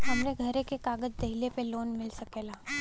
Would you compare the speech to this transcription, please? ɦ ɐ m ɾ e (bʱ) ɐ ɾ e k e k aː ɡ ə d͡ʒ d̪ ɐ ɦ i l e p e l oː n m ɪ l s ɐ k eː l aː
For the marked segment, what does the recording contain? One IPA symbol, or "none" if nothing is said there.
ɡʱ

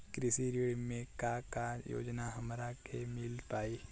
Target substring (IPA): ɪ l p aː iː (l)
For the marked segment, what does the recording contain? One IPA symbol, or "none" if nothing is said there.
none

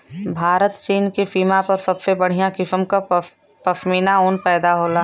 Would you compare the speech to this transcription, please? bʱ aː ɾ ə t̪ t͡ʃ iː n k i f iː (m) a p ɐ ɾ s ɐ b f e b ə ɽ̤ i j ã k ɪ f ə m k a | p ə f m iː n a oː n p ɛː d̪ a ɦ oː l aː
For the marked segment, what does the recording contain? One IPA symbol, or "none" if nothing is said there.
m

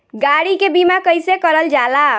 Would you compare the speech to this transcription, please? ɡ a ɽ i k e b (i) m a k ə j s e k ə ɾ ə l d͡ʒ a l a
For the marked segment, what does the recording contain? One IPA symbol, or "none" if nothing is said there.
i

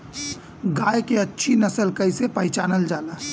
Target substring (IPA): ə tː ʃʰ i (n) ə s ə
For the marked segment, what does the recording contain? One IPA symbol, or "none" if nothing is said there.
n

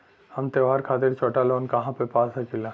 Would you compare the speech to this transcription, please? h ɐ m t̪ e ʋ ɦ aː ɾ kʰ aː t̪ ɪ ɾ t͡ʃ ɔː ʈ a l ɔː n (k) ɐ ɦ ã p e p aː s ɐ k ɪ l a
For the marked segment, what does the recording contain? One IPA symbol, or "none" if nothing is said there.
k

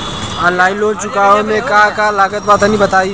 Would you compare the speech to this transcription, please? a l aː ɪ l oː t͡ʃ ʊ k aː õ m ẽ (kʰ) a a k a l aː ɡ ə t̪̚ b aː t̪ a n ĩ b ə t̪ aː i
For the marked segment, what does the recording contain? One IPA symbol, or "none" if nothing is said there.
k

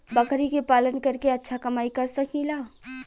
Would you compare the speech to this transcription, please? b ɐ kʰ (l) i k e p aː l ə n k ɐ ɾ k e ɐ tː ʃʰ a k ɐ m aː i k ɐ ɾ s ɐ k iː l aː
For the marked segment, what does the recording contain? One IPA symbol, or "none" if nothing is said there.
ɾ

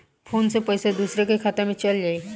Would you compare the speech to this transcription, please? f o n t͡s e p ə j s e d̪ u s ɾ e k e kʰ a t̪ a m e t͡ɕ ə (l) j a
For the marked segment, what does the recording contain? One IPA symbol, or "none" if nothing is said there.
l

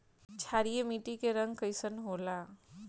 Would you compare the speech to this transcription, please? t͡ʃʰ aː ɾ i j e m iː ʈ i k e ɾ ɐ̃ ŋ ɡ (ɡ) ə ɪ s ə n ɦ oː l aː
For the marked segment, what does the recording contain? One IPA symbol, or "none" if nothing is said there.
k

